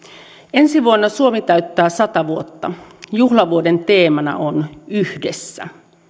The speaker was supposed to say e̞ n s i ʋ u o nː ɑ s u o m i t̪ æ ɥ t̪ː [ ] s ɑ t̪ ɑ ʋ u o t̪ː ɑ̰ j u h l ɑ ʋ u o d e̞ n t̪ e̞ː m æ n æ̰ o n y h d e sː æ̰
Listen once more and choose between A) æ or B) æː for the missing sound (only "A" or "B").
B